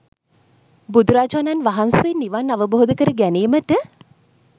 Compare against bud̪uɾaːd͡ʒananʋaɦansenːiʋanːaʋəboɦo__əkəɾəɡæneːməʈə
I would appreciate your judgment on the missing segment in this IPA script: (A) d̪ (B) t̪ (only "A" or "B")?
A